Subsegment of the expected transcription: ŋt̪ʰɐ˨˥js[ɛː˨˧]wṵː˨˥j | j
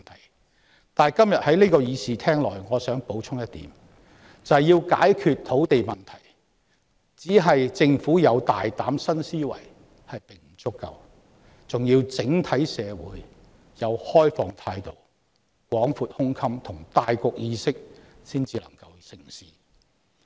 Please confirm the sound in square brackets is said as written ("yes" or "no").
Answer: yes